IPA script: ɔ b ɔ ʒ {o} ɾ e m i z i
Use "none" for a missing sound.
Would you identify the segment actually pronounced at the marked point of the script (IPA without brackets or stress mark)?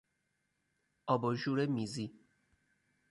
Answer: u